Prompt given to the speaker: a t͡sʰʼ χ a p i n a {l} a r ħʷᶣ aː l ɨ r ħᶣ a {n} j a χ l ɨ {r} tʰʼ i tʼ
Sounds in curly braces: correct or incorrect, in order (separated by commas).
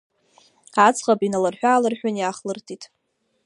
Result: correct, correct, correct